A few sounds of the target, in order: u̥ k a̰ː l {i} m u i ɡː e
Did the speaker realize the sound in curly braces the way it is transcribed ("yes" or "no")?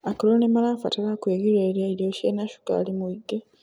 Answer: yes